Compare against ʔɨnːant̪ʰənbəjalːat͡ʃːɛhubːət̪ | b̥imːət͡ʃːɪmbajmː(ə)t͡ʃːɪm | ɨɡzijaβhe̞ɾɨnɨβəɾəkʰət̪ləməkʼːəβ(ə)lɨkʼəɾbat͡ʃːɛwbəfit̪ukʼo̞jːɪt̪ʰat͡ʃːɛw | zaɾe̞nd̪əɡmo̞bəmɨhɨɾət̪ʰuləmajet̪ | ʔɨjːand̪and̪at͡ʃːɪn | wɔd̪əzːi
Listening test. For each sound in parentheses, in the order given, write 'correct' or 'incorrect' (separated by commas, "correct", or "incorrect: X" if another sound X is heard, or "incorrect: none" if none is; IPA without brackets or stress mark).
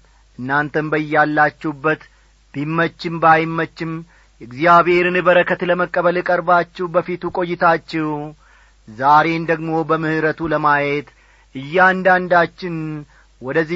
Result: correct, correct